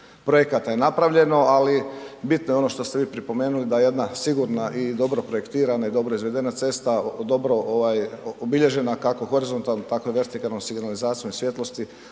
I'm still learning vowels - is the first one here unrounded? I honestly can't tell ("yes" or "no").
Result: no